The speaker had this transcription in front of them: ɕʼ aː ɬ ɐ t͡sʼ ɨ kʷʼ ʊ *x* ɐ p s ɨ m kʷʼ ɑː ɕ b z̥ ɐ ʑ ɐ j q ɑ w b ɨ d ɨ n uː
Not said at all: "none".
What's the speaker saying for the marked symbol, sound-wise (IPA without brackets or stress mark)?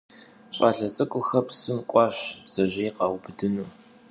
x